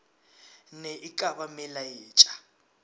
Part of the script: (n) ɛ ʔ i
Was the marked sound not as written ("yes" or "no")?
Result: no